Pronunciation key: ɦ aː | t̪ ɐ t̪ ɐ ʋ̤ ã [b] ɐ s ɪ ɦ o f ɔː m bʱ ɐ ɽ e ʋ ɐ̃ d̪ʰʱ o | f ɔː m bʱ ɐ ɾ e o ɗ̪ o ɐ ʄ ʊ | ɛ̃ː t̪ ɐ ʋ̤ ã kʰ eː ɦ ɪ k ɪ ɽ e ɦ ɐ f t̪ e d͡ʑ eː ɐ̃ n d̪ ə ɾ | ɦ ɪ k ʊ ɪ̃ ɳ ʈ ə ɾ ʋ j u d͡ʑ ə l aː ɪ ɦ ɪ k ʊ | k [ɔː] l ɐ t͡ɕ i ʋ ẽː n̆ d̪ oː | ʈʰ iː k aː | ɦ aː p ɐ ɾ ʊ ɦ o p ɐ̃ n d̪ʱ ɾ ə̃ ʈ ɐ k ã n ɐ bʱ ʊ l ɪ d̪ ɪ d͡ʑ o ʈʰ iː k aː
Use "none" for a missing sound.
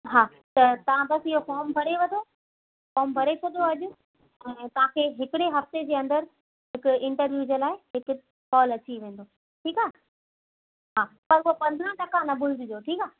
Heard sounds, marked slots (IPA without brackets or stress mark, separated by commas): b, ɔː